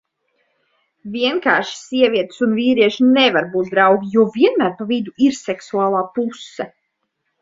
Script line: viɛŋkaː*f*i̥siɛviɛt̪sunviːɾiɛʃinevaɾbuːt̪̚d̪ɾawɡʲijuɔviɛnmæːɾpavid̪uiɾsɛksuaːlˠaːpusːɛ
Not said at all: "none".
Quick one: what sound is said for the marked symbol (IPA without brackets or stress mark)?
ʃ